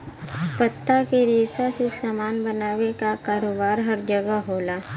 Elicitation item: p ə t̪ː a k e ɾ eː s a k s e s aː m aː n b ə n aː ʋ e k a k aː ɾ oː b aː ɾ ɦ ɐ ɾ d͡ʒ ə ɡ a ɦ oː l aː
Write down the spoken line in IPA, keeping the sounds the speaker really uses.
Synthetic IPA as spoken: p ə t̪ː a k e ɾ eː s a s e s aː m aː n b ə n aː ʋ e k a k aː ɾ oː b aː ɾ ɦ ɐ ɾ d͡ʒ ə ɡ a ɦ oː l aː